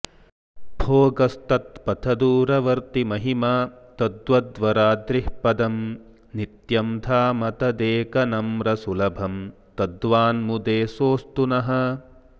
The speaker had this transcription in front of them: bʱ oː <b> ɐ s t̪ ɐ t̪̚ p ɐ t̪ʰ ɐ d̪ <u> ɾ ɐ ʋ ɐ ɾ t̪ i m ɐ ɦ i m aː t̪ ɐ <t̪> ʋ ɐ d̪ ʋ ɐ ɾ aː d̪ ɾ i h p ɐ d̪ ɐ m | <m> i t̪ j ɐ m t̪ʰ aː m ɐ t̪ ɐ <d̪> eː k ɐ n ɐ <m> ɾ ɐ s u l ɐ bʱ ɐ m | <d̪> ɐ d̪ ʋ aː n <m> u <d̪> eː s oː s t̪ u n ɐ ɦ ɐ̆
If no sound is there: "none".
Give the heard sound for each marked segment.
ɡ, uː, d̪, n, d̪, m, t̪, m, d̪

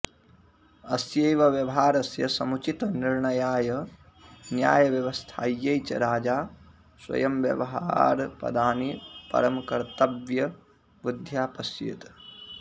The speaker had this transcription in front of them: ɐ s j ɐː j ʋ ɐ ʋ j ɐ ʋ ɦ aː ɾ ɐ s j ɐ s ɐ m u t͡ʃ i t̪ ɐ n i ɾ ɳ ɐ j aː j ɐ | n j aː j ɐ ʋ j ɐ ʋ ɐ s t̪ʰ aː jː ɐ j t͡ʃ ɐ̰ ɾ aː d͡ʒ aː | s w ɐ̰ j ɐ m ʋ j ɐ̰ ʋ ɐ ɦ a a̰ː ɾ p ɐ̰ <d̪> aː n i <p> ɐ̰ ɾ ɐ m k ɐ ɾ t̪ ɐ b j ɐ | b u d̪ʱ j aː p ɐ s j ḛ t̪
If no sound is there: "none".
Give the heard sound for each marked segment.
d̪, p

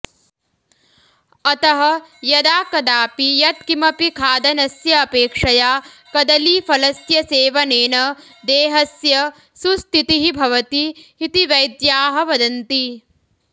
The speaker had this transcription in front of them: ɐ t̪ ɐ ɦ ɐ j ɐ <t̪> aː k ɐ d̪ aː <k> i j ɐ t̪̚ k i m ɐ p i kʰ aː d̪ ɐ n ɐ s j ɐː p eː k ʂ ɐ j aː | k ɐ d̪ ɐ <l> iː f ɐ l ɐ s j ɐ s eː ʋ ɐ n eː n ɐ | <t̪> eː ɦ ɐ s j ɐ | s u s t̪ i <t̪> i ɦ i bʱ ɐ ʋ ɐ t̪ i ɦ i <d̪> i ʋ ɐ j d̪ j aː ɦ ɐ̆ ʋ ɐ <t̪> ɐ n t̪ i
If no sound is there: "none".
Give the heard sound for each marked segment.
d̪, p, l, d̪, t̪, t̪, d̪

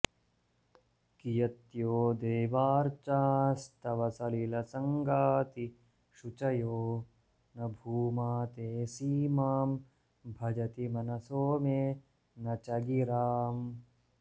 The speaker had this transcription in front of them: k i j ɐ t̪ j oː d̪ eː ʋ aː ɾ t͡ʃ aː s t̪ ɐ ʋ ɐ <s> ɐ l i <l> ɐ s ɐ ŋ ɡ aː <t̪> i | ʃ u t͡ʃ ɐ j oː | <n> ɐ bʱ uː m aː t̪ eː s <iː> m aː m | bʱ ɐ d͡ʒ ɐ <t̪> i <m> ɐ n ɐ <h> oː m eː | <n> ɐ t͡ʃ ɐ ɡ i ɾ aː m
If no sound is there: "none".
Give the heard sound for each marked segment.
s, l, t̪, n, iː, t̪, m, s, n

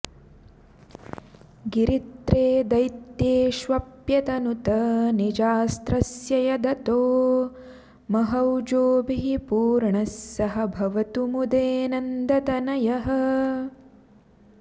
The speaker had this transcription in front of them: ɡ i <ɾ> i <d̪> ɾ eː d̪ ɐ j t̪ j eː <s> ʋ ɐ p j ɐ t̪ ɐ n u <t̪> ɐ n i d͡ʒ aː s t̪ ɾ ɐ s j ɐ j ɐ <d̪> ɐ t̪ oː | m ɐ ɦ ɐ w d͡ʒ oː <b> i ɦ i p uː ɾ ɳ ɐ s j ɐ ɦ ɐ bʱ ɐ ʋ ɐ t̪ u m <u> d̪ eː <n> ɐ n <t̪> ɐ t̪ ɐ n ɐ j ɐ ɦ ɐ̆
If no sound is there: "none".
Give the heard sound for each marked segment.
ɾ, t̪, ʃ, t̪, d̪, b, u, n, d̪

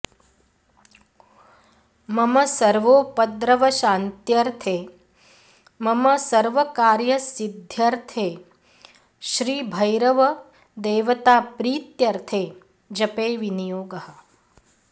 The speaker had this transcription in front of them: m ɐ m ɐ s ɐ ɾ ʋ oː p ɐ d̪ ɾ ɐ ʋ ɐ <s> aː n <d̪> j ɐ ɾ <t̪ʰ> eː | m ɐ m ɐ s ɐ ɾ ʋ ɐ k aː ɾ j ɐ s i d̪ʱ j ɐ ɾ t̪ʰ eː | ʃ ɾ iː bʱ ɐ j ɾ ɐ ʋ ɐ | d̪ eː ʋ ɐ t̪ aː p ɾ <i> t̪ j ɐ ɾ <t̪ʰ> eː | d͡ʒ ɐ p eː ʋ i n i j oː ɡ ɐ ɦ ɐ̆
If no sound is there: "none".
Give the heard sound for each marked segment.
ʃ, t̪, t̪ʰ, iː, t̪ʰ

